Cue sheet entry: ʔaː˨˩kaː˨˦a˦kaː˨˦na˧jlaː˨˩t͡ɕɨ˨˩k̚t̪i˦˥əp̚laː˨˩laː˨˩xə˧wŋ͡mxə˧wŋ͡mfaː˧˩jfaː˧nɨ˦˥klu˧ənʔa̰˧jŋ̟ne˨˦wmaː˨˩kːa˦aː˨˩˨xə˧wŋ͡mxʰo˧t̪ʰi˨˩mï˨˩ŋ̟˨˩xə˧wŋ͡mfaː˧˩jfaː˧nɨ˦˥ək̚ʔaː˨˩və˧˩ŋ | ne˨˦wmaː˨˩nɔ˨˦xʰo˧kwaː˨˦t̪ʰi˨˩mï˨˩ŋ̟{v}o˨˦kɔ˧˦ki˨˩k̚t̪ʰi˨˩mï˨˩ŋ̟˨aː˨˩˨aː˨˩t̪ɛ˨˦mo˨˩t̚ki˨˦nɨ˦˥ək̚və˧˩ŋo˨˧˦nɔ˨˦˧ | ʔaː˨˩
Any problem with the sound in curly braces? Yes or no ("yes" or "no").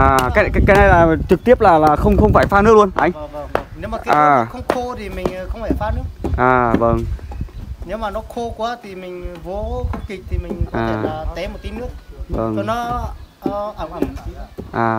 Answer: no